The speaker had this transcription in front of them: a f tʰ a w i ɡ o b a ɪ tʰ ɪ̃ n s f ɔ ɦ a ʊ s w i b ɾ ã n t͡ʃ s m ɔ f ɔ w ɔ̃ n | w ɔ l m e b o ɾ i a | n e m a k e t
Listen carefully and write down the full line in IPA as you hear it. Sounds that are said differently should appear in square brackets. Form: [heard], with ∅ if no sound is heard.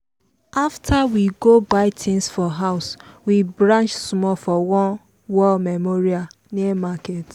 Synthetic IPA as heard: a f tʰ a w i ɡ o b a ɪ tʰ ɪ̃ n s f ɔ ɦ a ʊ s w i b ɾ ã n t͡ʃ s m ɔ f ɔ w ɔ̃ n | w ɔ l m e [m] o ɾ i a | n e m a k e t